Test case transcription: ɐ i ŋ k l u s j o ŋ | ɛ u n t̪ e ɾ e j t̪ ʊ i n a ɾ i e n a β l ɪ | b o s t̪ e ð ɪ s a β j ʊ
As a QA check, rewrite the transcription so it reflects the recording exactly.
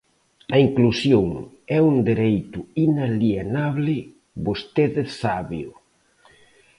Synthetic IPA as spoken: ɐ i ŋ k l u s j o ŋ | ɛ u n d̪ e ɾ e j t̪ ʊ i n a l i e n a β l ɪ | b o s t̪ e ð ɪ s a β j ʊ